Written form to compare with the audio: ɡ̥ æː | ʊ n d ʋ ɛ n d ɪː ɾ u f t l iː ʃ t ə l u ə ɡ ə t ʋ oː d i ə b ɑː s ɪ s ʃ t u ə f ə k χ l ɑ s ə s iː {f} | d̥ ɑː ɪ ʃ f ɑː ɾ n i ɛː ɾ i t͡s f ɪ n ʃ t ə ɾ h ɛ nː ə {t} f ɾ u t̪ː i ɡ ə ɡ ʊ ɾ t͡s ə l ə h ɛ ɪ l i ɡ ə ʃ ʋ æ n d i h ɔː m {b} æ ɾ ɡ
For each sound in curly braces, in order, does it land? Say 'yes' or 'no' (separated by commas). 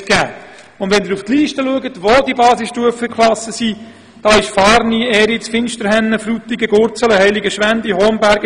no, no, yes